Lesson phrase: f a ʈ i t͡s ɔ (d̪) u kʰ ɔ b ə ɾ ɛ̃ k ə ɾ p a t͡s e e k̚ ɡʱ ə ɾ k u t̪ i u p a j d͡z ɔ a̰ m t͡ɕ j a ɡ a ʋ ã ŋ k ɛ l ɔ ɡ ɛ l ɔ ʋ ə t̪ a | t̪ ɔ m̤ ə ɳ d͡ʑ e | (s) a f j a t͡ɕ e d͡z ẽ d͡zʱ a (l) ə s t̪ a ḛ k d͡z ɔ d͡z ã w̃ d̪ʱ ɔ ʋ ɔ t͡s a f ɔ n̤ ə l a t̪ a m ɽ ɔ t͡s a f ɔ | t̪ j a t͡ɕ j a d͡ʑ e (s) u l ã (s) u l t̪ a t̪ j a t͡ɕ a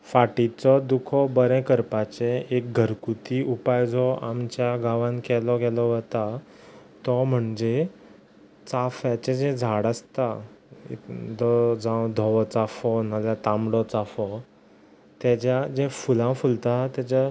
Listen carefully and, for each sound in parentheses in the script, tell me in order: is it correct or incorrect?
correct, incorrect: t͡s, incorrect: ɽ, incorrect: f, incorrect: f

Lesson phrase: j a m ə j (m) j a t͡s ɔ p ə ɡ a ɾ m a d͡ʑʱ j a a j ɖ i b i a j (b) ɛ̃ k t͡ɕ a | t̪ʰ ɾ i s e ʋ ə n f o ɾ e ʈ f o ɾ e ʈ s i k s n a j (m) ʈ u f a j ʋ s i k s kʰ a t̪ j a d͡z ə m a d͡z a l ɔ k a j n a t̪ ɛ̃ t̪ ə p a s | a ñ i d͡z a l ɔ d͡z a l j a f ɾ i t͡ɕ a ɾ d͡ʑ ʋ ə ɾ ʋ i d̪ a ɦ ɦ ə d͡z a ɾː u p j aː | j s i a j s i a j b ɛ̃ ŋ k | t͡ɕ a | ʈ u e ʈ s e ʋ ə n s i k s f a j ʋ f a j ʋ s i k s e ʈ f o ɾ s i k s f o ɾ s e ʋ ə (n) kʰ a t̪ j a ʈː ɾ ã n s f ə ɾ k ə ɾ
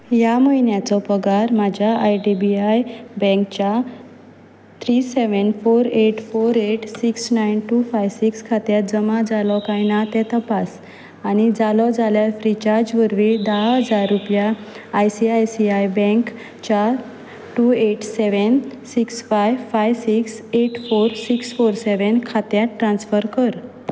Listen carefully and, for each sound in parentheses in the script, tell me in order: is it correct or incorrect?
incorrect: n, correct, incorrect: n, correct

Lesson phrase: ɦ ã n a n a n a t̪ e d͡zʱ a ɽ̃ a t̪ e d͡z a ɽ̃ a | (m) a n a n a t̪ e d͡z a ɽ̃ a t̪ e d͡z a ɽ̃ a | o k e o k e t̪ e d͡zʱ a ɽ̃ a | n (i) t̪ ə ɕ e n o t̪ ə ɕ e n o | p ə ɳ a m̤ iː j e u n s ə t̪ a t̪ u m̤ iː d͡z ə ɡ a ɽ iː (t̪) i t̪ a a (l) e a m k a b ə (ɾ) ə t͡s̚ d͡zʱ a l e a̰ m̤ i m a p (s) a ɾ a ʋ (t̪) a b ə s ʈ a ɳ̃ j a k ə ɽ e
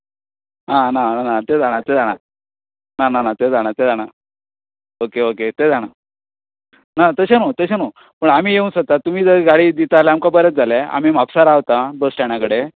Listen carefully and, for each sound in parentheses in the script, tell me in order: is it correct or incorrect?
incorrect: n, incorrect: a, incorrect: d̪, correct, correct, correct, correct

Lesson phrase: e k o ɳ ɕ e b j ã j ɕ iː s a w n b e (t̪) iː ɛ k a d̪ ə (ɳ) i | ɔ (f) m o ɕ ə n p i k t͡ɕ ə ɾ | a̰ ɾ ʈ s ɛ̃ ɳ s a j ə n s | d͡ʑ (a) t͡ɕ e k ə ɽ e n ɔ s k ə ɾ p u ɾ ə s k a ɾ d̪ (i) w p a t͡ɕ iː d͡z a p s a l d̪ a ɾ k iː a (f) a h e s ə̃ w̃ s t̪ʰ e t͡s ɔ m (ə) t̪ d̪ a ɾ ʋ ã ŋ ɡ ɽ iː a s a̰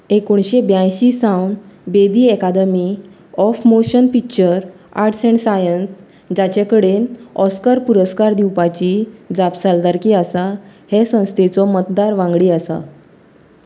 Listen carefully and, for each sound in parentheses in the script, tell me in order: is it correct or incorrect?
incorrect: d̪, incorrect: m, correct, correct, correct, incorrect: s, correct

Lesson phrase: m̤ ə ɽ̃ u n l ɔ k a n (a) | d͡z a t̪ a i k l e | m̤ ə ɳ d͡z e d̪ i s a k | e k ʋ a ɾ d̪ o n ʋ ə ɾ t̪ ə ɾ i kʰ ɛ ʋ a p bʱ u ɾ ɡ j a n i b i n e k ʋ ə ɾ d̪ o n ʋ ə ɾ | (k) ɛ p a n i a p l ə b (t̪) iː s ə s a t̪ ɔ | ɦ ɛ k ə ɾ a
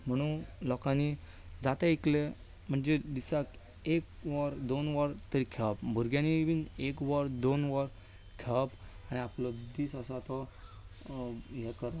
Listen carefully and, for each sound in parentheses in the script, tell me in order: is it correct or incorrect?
incorrect: i, incorrect: kʰ, incorrect: d̪

